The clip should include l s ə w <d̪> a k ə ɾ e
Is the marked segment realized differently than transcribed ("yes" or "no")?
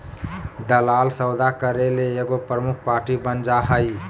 no